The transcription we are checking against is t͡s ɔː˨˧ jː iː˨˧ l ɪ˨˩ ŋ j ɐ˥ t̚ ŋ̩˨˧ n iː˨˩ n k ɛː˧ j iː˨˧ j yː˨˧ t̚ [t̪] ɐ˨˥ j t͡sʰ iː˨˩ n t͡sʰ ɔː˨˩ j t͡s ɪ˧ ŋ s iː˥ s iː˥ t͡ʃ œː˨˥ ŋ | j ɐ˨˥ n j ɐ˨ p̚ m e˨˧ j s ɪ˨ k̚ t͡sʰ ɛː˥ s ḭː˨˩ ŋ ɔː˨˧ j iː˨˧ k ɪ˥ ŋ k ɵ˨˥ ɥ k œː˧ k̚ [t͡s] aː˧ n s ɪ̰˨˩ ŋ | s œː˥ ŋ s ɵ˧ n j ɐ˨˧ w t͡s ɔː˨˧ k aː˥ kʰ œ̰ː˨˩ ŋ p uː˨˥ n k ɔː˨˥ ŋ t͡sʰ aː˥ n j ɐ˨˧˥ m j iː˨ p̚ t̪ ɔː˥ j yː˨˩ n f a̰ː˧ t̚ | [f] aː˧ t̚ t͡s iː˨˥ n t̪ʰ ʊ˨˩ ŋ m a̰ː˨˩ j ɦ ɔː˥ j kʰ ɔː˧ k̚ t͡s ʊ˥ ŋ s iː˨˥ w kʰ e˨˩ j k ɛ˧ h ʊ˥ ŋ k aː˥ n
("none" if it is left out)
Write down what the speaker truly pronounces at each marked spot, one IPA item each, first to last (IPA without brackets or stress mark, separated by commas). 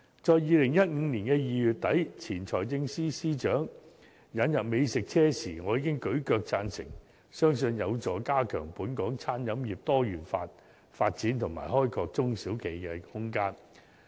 t̪, t͡s, f